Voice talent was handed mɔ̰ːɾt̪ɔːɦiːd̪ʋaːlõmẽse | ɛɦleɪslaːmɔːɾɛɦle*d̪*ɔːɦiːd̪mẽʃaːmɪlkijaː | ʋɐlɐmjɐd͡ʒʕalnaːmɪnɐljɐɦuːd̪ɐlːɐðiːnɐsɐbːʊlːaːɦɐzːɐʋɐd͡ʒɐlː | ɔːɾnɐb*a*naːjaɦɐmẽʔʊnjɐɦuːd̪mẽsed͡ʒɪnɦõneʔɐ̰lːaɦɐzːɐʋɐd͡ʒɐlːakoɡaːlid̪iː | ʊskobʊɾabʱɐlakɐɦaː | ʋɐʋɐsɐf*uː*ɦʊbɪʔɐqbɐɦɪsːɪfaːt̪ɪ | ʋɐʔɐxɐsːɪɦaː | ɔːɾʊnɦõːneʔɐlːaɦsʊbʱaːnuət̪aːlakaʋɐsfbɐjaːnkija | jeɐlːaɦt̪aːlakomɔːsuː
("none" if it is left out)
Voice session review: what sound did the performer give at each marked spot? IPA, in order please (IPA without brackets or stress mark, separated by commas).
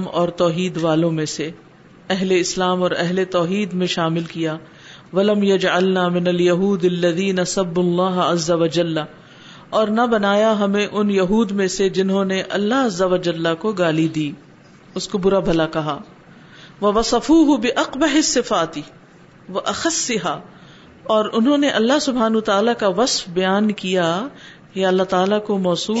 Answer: t̪, ɐ, uː